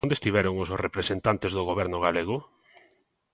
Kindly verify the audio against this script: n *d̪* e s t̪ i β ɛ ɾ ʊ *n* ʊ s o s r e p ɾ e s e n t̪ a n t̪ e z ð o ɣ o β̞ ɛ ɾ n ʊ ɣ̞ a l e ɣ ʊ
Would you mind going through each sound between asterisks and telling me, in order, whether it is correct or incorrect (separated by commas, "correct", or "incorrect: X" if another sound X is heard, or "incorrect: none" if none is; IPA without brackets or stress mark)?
correct, incorrect: ŋ